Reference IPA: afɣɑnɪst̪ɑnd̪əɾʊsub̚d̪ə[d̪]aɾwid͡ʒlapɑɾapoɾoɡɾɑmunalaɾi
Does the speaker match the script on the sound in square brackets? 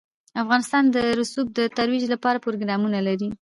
no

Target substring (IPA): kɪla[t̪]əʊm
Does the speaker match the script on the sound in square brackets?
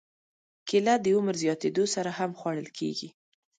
no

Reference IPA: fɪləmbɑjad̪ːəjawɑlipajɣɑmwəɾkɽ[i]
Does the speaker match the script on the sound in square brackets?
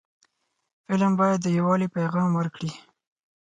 yes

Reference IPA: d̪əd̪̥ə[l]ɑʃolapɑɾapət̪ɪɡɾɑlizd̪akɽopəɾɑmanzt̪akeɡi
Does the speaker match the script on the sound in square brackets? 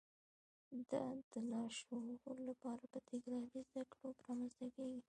yes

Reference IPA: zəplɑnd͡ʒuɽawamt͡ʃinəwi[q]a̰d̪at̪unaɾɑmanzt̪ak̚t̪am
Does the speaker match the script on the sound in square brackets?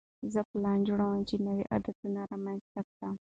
no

